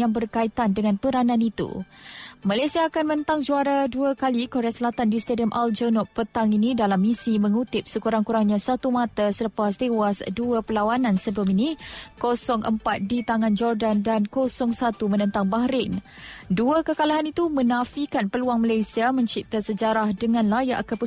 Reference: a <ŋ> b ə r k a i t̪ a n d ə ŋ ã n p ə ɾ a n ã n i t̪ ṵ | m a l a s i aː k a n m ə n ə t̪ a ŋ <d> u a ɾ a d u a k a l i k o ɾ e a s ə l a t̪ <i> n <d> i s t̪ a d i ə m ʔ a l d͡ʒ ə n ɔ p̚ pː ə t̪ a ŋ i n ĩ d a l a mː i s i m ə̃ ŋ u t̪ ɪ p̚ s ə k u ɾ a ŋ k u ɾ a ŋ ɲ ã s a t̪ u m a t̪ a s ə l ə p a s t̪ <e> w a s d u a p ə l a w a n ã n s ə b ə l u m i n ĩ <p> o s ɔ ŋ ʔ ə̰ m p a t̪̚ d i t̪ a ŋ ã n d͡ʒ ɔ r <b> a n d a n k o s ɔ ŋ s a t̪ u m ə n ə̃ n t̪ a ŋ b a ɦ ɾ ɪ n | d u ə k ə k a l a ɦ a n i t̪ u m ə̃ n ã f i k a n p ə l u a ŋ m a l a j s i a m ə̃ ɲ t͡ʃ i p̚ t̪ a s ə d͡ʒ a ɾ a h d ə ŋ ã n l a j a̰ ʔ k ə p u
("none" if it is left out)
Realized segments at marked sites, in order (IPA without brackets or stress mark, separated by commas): ŋ, d͡ʒ, a, d, e, k, d